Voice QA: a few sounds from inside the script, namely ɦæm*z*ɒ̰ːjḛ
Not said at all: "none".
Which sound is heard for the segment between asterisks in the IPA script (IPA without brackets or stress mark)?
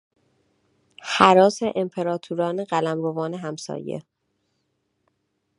s